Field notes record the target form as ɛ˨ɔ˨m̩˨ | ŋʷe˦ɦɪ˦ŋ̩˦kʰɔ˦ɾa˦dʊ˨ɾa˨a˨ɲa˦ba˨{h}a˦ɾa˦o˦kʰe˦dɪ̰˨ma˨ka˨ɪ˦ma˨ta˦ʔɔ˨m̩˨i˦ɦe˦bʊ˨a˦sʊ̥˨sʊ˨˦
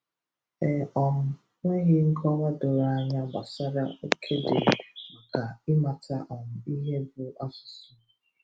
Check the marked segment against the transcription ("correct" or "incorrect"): incorrect